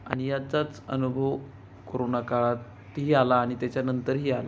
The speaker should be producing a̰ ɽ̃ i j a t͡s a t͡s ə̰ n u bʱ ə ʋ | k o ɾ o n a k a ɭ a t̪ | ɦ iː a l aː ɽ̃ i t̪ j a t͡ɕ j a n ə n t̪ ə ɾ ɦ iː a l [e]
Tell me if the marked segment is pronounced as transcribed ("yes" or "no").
no